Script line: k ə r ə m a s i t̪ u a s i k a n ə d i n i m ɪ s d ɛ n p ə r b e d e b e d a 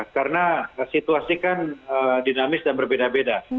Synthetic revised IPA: k a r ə n a s i t̪ u a s i k a n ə d i n a m ɪ s d a n b ə r b e d a b e d a